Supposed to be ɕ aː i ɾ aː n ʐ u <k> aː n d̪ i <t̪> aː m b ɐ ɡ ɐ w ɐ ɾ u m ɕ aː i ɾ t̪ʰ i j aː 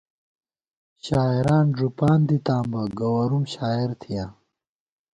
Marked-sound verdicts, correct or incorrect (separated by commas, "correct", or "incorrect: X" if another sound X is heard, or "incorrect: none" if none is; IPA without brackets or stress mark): incorrect: p, correct